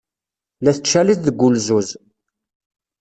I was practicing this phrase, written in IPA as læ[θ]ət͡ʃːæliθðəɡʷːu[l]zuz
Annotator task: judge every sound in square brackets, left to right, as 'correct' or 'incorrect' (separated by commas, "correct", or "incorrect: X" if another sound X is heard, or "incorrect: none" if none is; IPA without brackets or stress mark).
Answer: correct, correct